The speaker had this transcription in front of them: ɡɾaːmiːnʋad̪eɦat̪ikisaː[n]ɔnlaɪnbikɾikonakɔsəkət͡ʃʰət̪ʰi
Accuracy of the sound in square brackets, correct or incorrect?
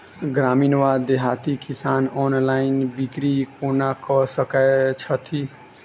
correct